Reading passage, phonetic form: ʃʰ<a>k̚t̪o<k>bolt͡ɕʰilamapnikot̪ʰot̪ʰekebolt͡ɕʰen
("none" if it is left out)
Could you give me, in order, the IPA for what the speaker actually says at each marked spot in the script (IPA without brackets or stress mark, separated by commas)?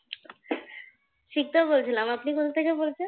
i, none